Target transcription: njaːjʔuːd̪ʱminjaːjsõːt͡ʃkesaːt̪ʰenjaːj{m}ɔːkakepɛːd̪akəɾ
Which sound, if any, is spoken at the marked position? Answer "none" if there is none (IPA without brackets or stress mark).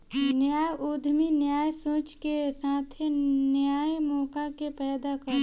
m